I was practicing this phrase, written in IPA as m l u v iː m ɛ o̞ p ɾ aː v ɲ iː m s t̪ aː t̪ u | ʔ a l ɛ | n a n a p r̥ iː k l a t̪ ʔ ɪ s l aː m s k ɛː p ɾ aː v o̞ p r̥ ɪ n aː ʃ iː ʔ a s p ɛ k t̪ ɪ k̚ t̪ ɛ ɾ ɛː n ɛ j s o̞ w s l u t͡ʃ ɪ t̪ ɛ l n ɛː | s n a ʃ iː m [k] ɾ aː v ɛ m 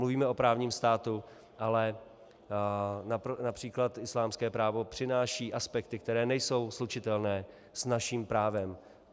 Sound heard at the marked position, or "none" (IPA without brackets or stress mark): p